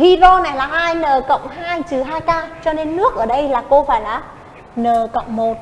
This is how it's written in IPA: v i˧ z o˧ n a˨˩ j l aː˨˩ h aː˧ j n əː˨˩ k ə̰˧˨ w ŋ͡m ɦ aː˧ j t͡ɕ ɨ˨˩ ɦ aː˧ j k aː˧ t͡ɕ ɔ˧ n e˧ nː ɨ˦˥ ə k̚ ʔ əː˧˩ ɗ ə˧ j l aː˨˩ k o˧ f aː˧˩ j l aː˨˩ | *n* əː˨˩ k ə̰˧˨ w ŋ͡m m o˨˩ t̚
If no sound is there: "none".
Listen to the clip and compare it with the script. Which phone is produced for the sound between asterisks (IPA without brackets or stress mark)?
n